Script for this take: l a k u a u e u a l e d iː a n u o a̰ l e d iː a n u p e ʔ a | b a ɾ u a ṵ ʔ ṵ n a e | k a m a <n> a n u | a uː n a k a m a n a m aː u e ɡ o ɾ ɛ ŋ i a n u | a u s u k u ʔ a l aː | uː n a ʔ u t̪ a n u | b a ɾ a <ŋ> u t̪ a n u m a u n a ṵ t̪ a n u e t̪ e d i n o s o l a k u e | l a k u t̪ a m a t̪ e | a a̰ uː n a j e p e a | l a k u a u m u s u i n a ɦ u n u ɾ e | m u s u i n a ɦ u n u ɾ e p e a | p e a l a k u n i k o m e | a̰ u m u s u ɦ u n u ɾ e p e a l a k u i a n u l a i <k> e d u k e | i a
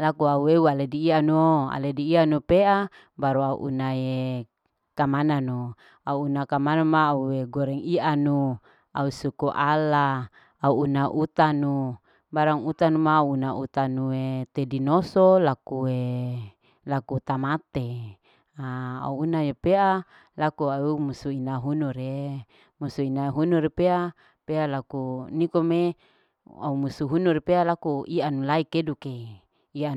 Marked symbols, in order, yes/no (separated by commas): yes, yes, yes